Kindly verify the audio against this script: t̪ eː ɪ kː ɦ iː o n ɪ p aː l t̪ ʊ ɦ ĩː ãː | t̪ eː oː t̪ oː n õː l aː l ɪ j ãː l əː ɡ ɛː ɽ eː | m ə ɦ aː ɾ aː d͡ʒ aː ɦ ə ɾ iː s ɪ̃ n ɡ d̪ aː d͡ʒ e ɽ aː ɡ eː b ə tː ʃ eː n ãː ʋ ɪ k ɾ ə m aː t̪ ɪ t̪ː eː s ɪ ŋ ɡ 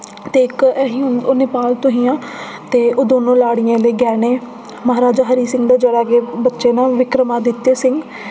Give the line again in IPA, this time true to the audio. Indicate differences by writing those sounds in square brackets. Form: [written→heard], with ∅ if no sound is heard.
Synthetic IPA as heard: t̪ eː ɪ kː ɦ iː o n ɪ p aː l t̪ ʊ ɦ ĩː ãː | t̪ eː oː [t̪→d̪] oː n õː l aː [l→ɽ] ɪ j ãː l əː ɡ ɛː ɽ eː | m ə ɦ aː ɾ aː d͡ʒ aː ɦ ə ɾ iː s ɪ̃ [n→ŋ] ɡ d̪ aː d͡ʒ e ɽ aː ɡ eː b ə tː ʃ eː n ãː ʋ ɪ k ɾ ə m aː [t̪→d̪] ɪ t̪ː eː s ɪ ŋ ɡ